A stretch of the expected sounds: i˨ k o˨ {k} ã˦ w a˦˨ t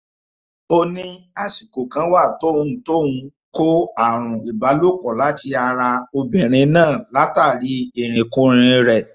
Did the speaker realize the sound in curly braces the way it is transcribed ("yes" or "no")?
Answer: yes